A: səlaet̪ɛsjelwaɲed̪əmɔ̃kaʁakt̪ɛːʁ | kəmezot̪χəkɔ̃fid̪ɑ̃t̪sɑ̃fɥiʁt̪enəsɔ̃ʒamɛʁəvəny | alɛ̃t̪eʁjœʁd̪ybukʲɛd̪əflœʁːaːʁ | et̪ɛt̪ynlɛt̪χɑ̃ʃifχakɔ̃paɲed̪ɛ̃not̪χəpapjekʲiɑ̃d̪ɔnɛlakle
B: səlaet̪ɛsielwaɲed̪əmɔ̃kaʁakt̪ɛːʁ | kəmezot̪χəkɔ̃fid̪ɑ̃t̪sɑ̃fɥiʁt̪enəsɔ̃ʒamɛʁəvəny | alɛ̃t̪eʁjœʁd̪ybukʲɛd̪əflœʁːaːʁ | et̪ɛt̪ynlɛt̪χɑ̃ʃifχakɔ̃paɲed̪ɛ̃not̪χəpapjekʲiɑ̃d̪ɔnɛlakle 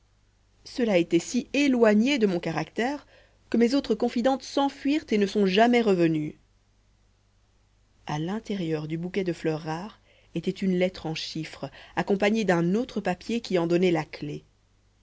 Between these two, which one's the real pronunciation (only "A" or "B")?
B